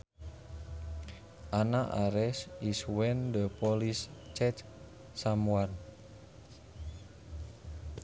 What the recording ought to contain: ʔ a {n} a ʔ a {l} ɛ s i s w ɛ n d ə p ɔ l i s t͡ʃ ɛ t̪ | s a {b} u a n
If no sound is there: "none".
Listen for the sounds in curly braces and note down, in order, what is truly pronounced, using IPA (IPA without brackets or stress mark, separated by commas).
n, ɾ, m